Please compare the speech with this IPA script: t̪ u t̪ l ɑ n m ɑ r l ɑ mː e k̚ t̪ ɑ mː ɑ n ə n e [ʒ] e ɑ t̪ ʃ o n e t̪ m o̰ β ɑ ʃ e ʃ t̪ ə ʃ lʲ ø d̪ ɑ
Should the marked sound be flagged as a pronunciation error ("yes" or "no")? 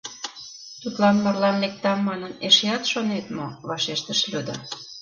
yes